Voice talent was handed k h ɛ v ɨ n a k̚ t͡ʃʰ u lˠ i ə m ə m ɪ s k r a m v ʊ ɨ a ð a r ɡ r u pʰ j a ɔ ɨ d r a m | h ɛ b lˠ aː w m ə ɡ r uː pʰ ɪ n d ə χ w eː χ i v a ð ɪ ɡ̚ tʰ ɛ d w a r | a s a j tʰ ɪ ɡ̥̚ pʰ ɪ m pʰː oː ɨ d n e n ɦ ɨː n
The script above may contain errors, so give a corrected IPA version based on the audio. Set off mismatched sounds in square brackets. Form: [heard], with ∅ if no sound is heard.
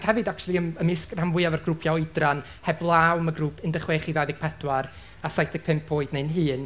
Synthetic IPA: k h ɛ v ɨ [d] a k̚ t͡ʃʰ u lˠ i ə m ə m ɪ s k r a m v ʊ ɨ a [v] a r ɡ r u pʰ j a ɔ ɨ d r a [n] | h ɛ b lˠ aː w m ə ɡ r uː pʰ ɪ n d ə χ w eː χ i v a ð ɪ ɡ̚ [pʰ] ɛ d w a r | a s a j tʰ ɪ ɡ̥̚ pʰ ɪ m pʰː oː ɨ d n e n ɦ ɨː n